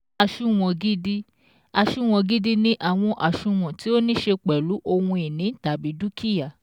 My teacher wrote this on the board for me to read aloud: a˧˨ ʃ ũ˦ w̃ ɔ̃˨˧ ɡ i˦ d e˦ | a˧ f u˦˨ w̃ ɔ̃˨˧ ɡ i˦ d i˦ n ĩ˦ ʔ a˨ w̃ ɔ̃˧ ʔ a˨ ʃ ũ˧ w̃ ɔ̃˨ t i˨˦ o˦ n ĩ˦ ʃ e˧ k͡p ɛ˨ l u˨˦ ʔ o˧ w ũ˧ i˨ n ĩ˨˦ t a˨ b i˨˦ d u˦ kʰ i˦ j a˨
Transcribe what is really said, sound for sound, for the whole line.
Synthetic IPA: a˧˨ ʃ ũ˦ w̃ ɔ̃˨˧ ɡ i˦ d i˦ | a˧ ʃ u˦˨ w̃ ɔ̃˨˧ ɡ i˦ d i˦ n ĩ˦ ʔ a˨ w̃ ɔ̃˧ ʔ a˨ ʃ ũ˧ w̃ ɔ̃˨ t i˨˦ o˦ n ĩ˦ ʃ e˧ k͡p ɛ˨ l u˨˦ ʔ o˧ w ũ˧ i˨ n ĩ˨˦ t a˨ b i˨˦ d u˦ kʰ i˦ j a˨